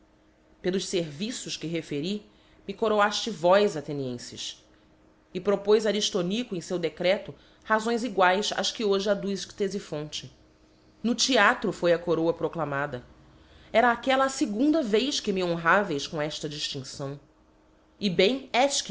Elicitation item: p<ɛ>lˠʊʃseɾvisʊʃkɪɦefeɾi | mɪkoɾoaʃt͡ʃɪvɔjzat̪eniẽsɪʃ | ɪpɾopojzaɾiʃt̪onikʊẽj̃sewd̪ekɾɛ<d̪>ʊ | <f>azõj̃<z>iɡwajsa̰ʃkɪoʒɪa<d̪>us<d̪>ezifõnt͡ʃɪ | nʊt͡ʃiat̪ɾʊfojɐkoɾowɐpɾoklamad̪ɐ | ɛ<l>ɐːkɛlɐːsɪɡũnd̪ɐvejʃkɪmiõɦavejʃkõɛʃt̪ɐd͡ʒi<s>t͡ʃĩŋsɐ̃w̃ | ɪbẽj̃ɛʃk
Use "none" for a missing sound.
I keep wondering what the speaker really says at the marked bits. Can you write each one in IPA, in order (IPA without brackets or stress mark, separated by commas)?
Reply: e, t̪, h, z, d̪, t̪, ɾ, ʃ